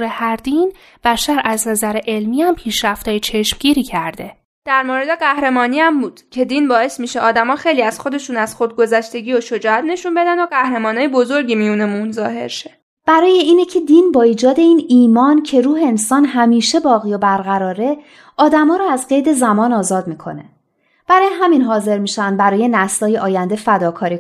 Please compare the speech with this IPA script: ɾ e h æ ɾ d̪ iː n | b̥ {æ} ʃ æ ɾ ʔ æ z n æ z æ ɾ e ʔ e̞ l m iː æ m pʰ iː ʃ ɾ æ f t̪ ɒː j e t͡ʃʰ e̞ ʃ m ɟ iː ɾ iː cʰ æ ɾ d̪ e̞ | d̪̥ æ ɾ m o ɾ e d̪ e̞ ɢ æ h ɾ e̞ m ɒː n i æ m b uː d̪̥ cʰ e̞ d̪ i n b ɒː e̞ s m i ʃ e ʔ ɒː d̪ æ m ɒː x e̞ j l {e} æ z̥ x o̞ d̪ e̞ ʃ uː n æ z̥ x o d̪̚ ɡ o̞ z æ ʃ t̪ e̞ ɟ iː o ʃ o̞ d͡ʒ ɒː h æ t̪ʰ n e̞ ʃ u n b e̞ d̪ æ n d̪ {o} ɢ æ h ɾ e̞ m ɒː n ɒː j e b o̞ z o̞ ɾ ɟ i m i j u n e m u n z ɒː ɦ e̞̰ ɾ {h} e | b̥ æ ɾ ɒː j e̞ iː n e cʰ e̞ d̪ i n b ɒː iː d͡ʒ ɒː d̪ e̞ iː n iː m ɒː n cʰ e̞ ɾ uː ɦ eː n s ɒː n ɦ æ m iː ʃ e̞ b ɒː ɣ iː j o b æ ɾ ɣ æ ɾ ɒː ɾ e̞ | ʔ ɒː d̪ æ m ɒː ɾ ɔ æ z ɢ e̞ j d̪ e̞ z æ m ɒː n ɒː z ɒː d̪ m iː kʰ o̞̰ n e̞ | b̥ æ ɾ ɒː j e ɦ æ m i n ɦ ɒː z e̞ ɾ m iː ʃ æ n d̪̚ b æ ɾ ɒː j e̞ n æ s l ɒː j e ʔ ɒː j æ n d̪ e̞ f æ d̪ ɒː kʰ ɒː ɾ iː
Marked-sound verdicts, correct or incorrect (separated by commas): correct, incorrect, correct, incorrect